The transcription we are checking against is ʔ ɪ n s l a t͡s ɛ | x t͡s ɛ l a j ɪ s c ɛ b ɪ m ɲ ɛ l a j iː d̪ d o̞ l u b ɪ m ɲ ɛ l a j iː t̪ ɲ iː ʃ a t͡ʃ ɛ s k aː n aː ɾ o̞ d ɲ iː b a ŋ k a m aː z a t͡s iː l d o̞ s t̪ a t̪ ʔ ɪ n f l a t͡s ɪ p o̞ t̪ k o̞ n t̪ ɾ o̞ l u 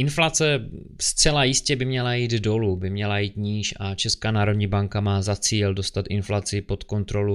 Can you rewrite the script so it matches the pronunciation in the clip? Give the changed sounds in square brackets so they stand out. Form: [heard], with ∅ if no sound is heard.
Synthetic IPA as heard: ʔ ɪ n [f] l a t͡s ɛ | [s] t͡s ɛ l a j ɪ s c ɛ b ɪ m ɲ ɛ l a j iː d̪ d o̞ l u b ɪ m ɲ ɛ l a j iː t̪ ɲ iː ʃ a t͡ʃ ɛ s k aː n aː ɾ o̞ d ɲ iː b a ŋ k a m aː z a t͡s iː l d o̞ s t̪ a t̪ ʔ ɪ n f l a t͡s ɪ p o̞ t̪ k o̞ n t̪ ɾ o̞ l u